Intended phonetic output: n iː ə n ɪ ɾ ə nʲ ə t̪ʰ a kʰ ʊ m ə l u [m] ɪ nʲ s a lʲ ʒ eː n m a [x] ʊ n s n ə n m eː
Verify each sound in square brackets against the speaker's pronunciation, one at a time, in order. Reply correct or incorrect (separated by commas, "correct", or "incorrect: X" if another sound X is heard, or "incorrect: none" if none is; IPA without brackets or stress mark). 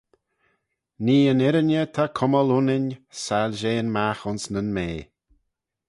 incorrect: n, correct